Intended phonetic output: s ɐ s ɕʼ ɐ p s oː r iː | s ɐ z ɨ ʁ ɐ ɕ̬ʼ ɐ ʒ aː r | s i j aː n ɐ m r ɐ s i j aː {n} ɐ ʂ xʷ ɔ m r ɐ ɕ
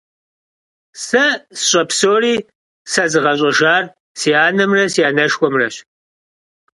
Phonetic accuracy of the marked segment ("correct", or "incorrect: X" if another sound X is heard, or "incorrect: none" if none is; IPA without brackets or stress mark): correct